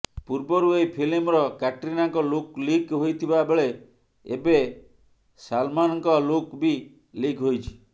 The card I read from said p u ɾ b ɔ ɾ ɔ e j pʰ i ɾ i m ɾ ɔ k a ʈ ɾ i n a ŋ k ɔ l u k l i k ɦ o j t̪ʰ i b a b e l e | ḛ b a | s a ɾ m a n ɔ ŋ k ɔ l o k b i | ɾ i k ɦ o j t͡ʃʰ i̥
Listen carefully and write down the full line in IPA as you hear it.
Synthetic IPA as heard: p u ɾ b ɔ ɾ u e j pʰ i l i m ɾ ɔ k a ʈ ɾ i n a ŋ k ɔ l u k l i k ɦ o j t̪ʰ i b a b e ɭ e | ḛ b e | s a l m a n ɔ ŋ k ɔ l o k b i | l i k ɦ o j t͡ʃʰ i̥

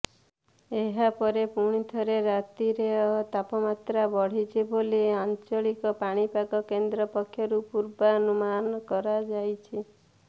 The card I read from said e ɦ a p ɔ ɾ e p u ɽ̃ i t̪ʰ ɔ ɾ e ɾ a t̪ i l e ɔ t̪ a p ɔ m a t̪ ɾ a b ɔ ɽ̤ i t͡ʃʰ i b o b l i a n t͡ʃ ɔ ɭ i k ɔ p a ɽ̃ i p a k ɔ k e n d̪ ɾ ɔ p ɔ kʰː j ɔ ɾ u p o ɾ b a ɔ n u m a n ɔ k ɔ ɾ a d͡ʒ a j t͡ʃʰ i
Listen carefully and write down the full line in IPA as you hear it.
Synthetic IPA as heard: e ɦ a p ɔ ɾ e p u ɽ̃ i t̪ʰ ɔ ɾ e ɾ a t̪ i ɾ e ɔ t̪ a p ɔ m a t̪ ɾ a b ɔ ɽ̤ i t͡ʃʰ i b o l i a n t͡ʃ ɔ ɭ i k ɔ p a ɽ̃ i p a k ɔ k e n d̪ ɾ ɔ p ɔ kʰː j ɔ ɾ u p u ɾ b a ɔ n u m a n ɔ k ɔ ɾ a d͡ʒ a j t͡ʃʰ i

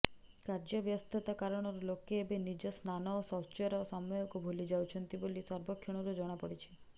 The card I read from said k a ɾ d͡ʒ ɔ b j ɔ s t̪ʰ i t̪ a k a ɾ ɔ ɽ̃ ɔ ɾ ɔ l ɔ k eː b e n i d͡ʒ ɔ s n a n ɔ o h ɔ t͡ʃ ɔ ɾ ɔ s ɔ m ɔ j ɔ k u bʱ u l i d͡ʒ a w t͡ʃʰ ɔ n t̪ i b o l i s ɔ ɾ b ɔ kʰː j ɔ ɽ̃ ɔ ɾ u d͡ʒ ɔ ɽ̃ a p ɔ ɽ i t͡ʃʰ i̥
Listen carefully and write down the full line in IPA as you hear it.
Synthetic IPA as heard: k a ɾ d͡ʒ ɔ b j ɔ s t̪ʰ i t̪ a k a ɾ ɔ ɽ̃ ɔ ɾ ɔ l o k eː b e n i d͡ʒ ɔ s n a n ɔ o s ɔ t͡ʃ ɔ ɾ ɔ s ɔ m ɔ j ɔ k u bʱ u l i d͡ʒ a w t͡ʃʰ ɔ n t̪ i b o l i s ɔ ɾ b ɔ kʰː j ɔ ɽ̃ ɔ ɾ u d͡ʒ ɔ ɽ̃ a p ɔ ɽ i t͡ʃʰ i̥

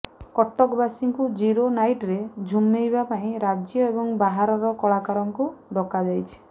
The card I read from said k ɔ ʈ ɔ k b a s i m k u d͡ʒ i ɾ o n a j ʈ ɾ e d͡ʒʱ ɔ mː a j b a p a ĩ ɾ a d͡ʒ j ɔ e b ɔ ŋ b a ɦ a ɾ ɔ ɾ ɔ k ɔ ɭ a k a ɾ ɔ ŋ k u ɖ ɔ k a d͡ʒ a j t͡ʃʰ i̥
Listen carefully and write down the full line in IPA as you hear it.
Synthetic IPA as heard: k ɔ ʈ ɔ k b a s i ŋ k u d͡ʒ i ɾ o n a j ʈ ɾ e d͡ʒʱ u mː e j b a p a ĩ ɾ a d͡ʒ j ɔ e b ɔ ŋ b a ɦ a ɾ ɔ ɾ ɔ k ɔ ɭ a k a ɾ ɔ ŋ k u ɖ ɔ k a d͡ʒ a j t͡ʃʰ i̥

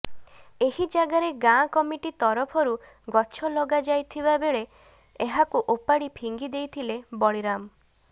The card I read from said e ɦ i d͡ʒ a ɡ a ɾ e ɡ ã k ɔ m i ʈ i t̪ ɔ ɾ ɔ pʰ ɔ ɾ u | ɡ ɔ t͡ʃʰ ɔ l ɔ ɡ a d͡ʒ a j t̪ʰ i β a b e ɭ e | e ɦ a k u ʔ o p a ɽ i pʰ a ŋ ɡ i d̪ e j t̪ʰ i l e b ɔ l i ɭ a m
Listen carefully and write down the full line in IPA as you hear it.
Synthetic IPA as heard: e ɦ i d͡ʒ a ɡ a ɾ e ɡ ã k ɔ m i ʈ i t̪ ɔ ɾ ɔ pʰ ɔ ɾ u | ɡ ɔ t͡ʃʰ ɔ l ɔ ɡ a d͡ʒ a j t̪ʰ i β a b e ɭ e | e ɦ a k u ʔ o p a ɽ i pʰ i ŋ ɡ i d̪ e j t̪ʰ i l e b ɔ ɭ i ɾ a m

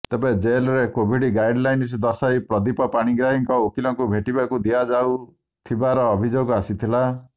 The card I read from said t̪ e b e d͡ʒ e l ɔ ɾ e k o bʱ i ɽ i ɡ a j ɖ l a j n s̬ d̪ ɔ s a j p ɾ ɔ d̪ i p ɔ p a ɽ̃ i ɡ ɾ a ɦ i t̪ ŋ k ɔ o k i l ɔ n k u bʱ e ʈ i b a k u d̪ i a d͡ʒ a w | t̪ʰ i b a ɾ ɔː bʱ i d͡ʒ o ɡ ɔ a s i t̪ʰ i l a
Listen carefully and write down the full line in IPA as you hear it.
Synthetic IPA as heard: t̪ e b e d͡ʒ e l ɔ ɾ e k o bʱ i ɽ i ɡ a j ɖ l a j n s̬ d̪ ɔ s a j p ɾ ɔ d̪ i p ɔ p a ɽ̃ i ɡ ɾ a ɦ i ŋ k ɔ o k i l ɔ ŋ k u bʱ e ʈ i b a k u d̪ i a d͡ʒ a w | t̪ʰ i b a ɾ ɔː bʱ i d͡ʒ o ɡ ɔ a s i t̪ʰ i l a

